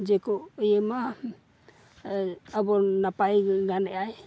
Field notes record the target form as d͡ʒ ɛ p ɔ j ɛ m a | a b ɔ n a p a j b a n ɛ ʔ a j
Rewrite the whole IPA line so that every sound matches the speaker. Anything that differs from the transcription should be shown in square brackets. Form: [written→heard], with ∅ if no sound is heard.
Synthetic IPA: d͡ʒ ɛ [p→k] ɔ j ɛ m a | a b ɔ n a p a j [b→ɡ] a n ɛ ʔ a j